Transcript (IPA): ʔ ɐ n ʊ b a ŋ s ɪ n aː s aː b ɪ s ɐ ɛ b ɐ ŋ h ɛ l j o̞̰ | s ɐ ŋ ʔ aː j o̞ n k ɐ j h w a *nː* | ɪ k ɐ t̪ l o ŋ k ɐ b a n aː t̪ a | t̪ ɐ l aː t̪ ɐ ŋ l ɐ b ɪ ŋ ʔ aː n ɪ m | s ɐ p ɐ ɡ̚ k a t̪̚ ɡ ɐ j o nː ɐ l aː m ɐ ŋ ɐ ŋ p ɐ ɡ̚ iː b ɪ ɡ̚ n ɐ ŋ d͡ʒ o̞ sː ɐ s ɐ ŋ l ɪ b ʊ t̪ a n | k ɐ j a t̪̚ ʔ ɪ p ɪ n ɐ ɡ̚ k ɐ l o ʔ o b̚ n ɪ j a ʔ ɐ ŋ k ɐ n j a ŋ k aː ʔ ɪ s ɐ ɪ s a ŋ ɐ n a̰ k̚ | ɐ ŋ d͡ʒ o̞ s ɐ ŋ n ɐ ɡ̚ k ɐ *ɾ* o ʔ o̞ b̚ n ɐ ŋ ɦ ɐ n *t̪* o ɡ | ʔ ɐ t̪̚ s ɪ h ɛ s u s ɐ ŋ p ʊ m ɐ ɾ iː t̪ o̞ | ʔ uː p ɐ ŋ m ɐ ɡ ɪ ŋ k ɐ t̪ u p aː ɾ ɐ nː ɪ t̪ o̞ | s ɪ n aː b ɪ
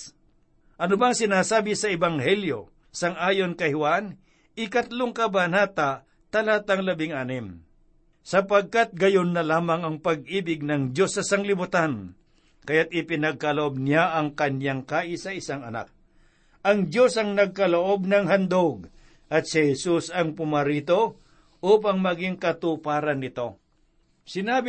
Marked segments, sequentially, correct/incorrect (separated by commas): incorrect, incorrect, incorrect